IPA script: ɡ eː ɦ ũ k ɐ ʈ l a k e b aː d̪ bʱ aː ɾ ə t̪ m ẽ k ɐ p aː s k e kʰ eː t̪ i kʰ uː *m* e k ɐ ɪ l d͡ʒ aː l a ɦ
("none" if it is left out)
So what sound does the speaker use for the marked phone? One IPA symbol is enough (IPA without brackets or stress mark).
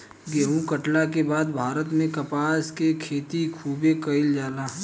b